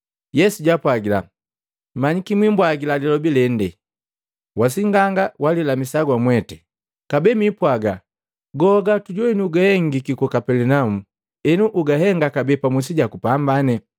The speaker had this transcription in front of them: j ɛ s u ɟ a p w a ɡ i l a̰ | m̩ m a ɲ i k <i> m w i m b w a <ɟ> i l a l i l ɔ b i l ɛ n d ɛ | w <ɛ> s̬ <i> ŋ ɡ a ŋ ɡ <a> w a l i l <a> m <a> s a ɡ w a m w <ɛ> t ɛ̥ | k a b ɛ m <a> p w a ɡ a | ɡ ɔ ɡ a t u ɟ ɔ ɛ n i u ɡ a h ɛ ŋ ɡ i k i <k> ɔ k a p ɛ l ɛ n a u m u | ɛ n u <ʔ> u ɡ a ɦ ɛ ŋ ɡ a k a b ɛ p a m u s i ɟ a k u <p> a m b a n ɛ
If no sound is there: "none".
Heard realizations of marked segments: i, ɡ, a, i, a, a, i, ɛ, i, k, ʔ, p

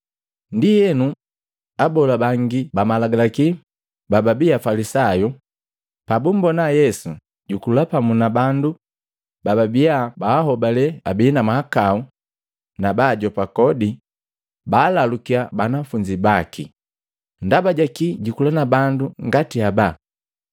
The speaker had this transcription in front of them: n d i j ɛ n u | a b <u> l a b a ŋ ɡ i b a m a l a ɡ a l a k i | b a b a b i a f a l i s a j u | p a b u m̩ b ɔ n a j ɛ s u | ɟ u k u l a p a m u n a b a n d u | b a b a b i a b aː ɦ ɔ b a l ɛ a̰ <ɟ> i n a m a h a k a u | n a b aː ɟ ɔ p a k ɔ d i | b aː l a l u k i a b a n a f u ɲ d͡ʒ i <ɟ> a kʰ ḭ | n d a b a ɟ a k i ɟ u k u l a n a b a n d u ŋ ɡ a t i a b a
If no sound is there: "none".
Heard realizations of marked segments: ɔ, b, b

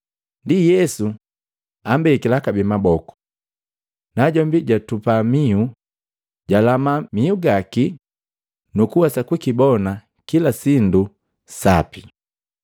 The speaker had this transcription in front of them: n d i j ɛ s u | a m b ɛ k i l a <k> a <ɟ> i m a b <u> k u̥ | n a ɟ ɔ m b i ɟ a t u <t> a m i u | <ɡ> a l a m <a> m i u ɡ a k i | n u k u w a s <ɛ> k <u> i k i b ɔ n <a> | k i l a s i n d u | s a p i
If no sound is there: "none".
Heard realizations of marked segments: k, b, ɔ, p, ɟ, a, a, w, a

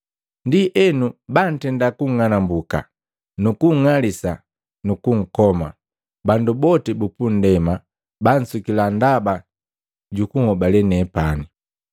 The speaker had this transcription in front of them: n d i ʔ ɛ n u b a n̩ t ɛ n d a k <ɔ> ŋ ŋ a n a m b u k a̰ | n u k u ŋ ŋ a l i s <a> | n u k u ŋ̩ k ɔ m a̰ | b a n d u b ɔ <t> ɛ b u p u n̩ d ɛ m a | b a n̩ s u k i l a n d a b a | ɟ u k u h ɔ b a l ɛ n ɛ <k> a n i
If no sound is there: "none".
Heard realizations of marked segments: u, a, t, p

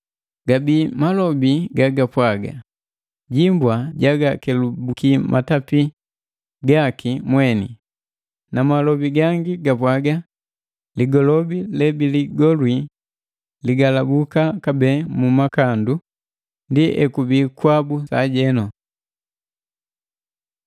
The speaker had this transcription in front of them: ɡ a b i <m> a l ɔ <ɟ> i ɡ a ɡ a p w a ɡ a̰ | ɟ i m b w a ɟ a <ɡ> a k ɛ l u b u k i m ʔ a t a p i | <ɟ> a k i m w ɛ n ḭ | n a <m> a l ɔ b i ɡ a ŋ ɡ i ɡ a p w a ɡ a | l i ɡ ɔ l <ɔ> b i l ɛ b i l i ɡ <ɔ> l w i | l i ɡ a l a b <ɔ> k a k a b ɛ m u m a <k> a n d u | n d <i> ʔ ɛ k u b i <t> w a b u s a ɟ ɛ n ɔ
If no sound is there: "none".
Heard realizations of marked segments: m, b, ɡ, ɡ, m, ɔ, ɔ, u, k, i, k

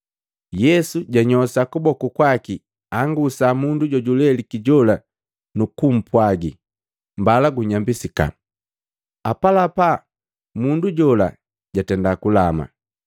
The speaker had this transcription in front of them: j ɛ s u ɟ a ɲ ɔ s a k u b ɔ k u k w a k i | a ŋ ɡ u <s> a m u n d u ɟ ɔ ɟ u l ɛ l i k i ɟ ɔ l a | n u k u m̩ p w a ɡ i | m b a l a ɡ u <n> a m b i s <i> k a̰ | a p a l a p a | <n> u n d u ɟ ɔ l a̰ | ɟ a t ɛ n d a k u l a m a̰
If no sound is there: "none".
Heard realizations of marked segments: s, ɲ, i, m

